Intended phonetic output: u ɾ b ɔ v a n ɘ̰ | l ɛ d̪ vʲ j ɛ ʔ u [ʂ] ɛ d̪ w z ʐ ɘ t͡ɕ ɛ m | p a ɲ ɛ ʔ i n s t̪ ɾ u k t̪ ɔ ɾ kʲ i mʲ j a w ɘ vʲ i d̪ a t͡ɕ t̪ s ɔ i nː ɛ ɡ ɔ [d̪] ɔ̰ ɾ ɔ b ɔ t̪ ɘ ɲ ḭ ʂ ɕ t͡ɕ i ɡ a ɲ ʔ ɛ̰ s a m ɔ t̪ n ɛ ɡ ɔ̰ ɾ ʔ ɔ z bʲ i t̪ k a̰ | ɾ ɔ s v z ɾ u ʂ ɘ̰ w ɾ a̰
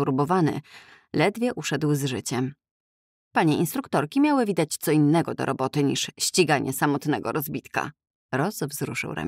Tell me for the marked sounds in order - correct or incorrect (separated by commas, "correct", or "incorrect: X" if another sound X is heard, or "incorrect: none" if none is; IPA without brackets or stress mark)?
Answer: correct, correct